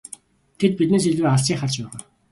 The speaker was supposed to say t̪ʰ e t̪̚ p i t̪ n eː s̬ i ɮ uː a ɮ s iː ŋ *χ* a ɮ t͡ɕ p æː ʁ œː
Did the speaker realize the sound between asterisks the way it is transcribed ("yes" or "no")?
yes